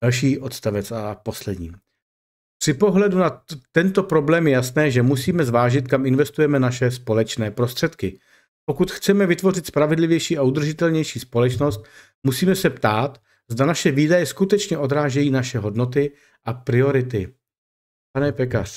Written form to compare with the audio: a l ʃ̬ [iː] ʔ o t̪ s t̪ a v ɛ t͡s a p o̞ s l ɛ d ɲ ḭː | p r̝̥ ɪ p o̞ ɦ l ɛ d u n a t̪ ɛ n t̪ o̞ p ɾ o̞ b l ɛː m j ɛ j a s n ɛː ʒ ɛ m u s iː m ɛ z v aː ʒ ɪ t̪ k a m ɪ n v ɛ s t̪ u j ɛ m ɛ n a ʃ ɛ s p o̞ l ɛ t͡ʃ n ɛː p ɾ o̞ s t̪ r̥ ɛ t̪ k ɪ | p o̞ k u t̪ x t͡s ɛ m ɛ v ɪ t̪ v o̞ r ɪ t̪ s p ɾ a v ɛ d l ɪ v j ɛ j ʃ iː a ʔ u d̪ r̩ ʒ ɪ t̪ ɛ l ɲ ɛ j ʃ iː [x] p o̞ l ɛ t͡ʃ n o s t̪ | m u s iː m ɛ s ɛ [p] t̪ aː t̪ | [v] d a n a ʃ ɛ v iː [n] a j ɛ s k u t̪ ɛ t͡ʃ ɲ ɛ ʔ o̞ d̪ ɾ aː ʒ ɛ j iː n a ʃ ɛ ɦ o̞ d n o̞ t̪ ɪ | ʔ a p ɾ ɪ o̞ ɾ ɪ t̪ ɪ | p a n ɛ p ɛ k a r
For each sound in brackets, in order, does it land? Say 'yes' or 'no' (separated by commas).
yes, no, yes, no, no